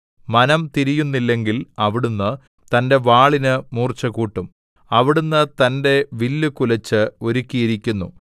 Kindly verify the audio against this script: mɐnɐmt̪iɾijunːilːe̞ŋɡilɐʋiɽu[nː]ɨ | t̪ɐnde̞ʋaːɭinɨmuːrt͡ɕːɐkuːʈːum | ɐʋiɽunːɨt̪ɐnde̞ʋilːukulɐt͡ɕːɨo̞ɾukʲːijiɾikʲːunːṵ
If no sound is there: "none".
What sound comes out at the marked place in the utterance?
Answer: nː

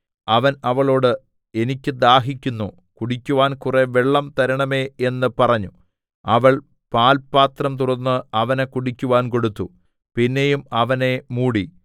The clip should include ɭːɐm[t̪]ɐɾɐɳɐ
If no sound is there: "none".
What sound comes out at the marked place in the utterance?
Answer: t̪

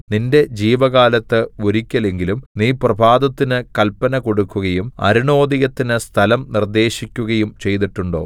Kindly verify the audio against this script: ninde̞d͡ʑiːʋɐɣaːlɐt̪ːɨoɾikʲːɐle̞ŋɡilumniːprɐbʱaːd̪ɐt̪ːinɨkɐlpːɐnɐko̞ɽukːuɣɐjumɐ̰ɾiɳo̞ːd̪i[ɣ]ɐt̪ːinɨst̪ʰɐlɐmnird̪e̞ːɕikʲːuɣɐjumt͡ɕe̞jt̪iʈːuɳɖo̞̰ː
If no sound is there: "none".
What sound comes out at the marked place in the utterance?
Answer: ɣ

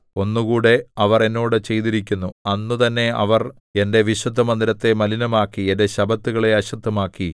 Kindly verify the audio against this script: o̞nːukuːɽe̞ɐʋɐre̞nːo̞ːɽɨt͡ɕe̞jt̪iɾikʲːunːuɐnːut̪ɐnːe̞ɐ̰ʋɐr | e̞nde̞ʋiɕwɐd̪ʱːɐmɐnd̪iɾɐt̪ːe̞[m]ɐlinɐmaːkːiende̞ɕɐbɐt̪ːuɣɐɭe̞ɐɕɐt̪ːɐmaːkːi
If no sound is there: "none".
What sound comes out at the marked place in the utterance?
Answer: m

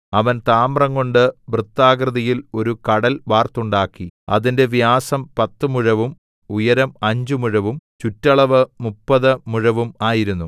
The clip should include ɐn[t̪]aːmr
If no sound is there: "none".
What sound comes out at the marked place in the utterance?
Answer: t̪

